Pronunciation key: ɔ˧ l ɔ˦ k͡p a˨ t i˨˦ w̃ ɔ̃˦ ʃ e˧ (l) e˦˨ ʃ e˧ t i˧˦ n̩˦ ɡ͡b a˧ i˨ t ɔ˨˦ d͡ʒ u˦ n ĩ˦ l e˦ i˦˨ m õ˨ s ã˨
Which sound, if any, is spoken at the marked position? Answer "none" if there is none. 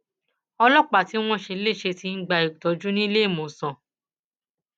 l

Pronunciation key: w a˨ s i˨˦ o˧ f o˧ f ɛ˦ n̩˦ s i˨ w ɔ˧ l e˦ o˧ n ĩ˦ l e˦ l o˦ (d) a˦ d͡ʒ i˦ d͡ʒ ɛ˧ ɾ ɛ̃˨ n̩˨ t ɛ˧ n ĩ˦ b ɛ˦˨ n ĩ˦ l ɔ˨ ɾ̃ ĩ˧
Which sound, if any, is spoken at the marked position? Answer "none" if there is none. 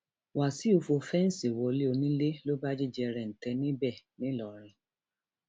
b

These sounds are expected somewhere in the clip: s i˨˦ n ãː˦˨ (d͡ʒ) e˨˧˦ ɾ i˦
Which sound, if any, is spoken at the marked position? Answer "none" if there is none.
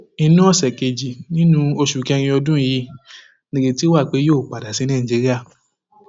d͡ʒ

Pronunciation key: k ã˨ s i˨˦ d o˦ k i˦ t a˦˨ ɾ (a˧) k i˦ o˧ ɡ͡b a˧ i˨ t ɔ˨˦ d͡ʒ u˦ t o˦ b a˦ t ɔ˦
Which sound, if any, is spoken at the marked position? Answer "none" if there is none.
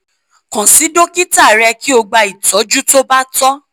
ɛ˧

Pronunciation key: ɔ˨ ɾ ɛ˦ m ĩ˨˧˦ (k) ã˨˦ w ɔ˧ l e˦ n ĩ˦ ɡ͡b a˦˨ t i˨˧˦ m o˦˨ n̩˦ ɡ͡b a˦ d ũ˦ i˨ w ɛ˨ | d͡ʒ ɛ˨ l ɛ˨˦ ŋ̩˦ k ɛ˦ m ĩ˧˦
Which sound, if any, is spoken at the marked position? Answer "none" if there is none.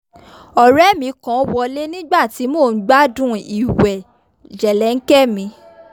k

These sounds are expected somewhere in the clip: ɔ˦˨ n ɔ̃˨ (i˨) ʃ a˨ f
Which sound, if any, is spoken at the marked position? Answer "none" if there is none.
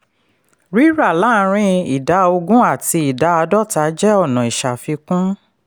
i˨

